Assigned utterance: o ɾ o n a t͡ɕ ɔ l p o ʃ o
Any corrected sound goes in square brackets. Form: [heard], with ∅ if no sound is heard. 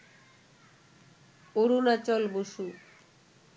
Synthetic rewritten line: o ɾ [u] n a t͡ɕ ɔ l [b] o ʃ [u]